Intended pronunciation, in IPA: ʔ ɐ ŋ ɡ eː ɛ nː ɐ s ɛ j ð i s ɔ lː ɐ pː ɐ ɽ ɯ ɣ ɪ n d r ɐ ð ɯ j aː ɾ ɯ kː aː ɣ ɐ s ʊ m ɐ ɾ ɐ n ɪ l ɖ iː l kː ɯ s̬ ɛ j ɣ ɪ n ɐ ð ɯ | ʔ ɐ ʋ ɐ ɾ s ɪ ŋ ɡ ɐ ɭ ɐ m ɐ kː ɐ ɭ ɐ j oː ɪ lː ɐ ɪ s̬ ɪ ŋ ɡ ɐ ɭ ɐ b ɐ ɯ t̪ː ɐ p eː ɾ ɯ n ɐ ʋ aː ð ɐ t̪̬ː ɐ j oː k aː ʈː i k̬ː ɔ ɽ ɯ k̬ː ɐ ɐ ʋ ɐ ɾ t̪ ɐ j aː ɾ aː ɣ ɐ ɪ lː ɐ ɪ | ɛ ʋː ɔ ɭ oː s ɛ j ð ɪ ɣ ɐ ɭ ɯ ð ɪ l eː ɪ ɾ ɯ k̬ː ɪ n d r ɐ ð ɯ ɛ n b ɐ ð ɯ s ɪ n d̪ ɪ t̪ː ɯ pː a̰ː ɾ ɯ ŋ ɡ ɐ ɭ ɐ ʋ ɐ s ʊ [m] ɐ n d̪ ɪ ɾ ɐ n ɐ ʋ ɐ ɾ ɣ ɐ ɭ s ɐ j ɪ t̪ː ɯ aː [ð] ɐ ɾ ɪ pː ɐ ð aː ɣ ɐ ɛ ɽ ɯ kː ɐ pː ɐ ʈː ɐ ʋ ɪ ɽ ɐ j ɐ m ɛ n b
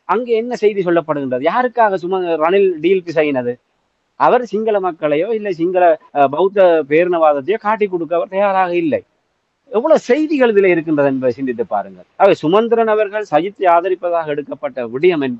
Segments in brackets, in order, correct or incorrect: correct, correct

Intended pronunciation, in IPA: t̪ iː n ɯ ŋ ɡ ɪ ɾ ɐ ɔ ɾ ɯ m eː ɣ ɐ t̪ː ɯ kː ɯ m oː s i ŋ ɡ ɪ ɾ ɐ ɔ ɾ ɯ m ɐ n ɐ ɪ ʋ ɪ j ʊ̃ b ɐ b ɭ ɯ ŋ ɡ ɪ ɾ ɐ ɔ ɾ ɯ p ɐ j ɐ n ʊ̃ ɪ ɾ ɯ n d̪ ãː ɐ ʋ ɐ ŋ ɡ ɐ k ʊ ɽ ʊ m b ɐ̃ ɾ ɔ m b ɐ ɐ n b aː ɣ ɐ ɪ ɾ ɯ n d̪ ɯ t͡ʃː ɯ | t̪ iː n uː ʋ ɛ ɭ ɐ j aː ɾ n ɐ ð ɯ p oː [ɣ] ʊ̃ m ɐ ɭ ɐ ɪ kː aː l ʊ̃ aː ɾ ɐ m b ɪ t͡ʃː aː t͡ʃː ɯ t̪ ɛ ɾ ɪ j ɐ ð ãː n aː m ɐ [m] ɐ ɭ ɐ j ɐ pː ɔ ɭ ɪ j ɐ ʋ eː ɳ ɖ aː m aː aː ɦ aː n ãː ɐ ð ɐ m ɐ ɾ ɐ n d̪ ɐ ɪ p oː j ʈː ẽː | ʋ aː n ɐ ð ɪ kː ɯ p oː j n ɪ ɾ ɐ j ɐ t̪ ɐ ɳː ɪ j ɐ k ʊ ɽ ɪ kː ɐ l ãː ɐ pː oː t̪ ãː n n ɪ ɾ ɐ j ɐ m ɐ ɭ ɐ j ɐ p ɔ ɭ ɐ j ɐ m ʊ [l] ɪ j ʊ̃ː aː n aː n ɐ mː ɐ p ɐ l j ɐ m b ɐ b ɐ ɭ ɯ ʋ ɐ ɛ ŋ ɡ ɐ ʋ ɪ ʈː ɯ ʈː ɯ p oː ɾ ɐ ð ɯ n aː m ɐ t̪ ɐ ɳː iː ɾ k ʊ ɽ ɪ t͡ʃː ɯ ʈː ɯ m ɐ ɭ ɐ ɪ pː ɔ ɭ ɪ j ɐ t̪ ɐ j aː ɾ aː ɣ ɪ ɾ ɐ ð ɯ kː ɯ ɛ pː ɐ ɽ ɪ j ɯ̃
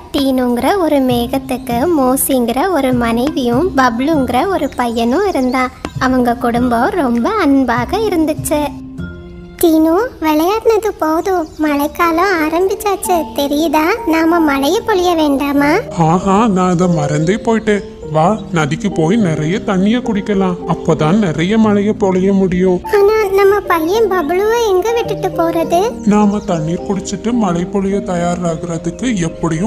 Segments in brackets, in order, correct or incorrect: incorrect: ð, correct, incorrect: ɽ

